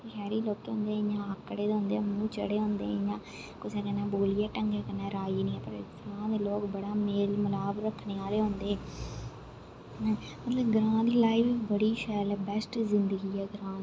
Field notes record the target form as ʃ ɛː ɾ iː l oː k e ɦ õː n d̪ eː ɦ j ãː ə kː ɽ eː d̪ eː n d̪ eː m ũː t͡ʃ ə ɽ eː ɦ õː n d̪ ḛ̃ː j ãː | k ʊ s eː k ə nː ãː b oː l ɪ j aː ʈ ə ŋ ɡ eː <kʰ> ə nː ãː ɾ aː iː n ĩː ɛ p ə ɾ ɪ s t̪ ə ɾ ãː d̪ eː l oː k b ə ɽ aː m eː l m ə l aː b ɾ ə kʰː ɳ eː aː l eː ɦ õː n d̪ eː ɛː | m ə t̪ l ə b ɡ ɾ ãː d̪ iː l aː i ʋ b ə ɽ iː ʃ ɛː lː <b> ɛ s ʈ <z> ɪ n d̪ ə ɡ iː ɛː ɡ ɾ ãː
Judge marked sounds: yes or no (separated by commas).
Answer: no, yes, yes